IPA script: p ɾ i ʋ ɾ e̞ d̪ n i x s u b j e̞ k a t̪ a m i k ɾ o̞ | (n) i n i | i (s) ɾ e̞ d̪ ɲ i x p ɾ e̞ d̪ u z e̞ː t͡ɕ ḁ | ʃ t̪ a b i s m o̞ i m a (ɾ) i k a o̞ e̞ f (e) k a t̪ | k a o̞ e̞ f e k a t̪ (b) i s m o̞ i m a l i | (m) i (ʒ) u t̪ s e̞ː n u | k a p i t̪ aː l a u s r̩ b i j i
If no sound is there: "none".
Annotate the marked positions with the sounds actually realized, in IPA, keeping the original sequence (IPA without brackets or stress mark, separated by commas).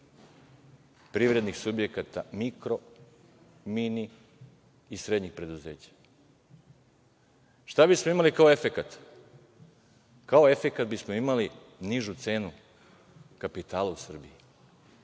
m, s, l, e, b, n, ʒ